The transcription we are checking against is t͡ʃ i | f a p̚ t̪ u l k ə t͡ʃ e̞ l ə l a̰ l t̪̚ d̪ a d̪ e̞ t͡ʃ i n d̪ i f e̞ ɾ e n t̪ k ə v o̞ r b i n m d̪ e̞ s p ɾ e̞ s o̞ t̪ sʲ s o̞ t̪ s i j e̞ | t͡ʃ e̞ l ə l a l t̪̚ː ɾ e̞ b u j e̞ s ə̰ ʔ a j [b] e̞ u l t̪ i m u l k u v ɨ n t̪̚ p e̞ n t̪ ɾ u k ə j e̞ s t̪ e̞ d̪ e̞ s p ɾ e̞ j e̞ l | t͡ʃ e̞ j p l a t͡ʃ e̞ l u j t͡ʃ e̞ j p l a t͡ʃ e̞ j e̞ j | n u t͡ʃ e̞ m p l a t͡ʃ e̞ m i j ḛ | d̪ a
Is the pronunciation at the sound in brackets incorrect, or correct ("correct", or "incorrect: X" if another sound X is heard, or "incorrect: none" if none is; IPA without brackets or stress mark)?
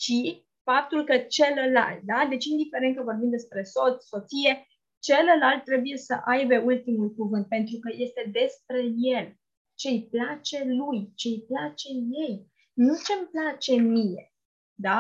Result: correct